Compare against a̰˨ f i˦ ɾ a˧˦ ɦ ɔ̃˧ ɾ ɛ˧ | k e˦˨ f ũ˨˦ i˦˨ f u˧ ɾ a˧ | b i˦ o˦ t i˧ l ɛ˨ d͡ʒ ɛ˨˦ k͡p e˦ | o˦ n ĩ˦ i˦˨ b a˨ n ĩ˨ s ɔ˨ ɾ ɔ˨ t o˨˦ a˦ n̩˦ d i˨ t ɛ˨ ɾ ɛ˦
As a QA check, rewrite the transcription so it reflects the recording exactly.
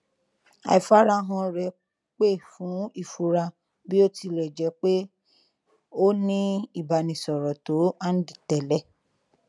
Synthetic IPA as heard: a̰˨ f a˦ ɾ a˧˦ ɦ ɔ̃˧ ɾ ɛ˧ | k͡p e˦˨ f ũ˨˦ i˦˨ f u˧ ɾ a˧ | b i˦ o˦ t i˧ l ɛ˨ d͡ʒ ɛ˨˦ k͡p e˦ | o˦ n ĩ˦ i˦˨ b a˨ n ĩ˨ s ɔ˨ ɾ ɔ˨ t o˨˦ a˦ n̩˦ d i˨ t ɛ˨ l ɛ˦